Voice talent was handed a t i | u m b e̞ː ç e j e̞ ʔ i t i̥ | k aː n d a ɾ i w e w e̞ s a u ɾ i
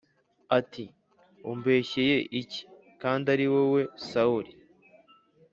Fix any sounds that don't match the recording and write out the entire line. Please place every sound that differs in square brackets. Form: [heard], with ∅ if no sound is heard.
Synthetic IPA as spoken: a t i | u m b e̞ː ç e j e̞ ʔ i [c] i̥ | k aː n d a ɾ i w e w e̞ s a u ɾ i

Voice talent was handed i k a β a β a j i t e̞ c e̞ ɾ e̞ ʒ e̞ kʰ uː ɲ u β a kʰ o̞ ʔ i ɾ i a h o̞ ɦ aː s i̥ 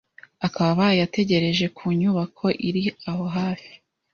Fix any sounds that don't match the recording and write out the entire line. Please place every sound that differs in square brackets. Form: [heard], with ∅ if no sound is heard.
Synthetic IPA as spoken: [a] k a β a β a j [a] t e̞ [ɟ] e̞ ɾ e̞ ʒ e̞ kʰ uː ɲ u β a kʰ o̞ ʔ i ɾ i a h o̞ ɦ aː [f] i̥

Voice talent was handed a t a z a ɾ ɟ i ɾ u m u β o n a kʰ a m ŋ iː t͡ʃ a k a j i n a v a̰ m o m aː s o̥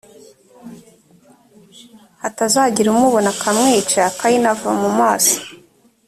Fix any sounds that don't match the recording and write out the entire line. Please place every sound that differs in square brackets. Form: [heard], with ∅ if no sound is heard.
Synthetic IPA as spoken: a t a z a [∅] ɟ i ɾ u m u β o n a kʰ a m ŋ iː t͡ʃ a k a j i n a v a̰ m [u] m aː s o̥

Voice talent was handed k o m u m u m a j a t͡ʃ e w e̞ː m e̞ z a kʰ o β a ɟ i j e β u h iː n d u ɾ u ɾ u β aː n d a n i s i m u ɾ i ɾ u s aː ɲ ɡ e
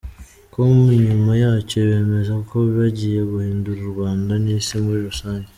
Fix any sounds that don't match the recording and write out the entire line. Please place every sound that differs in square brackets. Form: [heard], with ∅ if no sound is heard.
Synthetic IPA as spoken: k o m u [ɲ] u m a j a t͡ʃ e [β] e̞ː m e̞ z a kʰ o β a ɟ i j e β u h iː n d u ɾ u ɾ u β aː n d a n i s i m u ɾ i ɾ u s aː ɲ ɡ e

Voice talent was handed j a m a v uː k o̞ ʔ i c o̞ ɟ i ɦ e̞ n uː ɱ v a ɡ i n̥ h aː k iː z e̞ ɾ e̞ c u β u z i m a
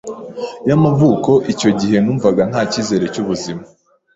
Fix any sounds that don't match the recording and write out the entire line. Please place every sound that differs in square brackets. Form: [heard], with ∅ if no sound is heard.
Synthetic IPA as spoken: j a m a v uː k o̞ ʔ i c o̞ ɟ i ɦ e̞ n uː ɱ v a ɡ [a] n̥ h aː [c] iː z e̞ ɾ e̞ c u β u z i m a

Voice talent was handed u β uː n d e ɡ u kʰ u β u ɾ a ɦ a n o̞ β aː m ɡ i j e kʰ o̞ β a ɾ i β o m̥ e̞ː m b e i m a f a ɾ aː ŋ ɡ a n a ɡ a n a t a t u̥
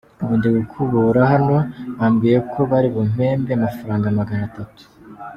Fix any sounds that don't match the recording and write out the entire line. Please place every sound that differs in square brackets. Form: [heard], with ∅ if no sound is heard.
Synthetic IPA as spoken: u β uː n d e ɡ u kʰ u β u ɾ a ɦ a n o̞ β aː m ɡ i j e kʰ o̞ β a ɾ i β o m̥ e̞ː m b e [a] m a f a ɾ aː ŋ ɡ a [m] a ɡ a n a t a t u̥

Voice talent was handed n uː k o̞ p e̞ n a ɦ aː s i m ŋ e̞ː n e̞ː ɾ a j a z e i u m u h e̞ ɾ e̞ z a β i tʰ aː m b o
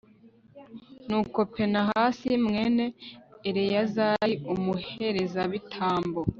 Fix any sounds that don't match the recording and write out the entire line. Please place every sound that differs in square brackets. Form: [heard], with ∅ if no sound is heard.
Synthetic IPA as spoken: n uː k o̞ p e̞ n a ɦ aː s i m ŋ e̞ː n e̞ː ɾ [e] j a z [a] i u m u h e̞ ɾ e̞ z a β i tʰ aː m b o

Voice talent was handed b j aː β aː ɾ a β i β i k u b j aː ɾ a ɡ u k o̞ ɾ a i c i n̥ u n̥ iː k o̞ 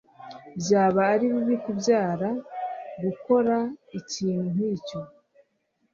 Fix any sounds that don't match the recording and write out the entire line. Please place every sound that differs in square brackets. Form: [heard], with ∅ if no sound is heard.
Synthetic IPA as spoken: b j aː β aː ɾ [i] β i β i k u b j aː ɾ a ɡ u k o̞ ɾ a i c [iː] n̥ u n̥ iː [c] o̞

